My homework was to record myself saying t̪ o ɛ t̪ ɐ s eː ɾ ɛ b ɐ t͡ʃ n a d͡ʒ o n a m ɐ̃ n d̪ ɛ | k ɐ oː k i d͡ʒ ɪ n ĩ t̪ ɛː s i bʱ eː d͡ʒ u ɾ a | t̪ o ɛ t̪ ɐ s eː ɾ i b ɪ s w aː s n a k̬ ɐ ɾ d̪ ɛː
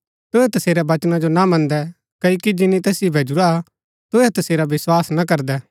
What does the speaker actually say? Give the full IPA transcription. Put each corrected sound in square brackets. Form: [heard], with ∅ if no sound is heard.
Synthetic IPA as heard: t̪ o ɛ t̪ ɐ s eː ɾ ɛ b ɐ t͡ʃ n a d͡ʒ o n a m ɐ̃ n d̪ ɛ | k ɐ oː k i d͡ʒ ɪ n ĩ t̪ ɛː s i bʱ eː d͡ʒ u ɾ a | t̪ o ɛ t̪ ɐ s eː ɾ [a] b ɪ s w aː s n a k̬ ɐ ɾ d̪ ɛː